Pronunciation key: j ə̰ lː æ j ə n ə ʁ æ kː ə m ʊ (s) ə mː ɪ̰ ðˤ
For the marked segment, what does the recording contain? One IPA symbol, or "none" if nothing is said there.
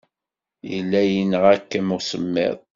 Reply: s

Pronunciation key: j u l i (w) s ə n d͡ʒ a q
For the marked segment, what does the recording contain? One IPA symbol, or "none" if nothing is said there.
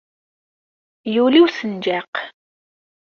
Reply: w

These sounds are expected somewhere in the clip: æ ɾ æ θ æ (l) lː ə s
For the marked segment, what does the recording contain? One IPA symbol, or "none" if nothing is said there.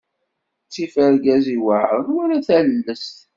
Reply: l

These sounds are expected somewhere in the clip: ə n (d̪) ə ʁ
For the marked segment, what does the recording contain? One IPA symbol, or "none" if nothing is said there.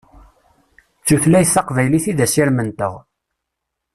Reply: t̪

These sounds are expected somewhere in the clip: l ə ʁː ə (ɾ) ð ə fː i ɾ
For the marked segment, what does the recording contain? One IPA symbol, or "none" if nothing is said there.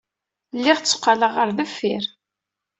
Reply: ɾ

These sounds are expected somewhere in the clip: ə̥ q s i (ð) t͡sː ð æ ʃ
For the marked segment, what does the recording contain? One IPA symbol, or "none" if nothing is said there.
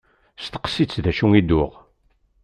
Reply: none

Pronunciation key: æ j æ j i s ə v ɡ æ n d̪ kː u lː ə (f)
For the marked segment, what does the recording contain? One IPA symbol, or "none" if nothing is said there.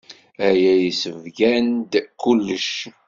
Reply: ʃ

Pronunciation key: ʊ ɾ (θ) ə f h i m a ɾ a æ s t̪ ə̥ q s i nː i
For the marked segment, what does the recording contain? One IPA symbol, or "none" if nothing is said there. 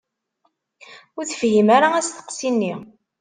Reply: θ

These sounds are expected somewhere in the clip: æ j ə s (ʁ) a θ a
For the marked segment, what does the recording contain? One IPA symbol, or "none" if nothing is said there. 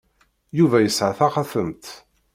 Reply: ʕ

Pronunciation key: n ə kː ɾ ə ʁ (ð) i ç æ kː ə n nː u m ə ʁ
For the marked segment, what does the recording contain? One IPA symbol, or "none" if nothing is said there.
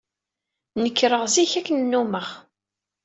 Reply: z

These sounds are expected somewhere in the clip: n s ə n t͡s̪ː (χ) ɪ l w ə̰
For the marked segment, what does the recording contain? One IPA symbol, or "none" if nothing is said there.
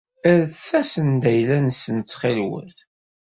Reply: χ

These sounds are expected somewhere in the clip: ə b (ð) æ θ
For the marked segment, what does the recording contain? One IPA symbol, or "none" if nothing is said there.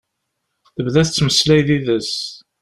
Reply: ð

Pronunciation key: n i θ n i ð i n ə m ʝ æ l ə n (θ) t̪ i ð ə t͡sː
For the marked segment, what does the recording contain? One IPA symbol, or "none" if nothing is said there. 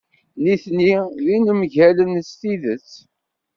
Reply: s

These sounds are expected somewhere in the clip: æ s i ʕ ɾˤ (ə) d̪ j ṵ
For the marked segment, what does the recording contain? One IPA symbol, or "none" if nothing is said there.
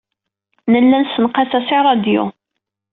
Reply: ɑ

